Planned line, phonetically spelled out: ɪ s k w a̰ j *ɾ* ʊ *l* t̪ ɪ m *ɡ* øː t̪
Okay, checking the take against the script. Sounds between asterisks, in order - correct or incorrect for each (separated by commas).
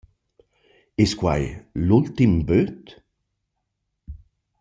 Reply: incorrect, correct, incorrect